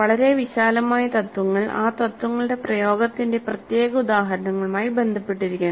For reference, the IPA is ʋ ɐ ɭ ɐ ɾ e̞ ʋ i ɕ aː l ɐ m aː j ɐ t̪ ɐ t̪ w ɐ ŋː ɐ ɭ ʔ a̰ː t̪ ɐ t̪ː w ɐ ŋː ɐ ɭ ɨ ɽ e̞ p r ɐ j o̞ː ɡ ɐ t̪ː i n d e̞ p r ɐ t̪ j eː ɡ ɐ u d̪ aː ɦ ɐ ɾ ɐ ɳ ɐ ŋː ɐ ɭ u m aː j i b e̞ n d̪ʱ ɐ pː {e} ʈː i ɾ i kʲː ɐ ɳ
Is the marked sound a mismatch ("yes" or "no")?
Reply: no